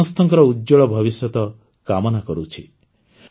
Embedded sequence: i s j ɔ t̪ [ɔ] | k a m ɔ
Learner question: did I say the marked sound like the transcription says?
yes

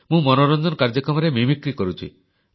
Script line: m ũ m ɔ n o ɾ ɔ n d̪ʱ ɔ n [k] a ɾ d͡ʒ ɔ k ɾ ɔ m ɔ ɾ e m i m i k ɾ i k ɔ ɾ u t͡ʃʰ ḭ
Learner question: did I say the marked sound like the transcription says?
yes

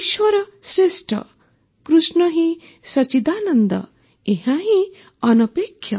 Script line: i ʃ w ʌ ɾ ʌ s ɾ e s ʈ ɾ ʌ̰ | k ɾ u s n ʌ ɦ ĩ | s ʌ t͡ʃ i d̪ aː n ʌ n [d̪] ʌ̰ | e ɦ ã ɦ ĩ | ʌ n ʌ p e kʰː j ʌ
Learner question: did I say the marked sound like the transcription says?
yes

